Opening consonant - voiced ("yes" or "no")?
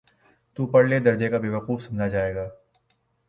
no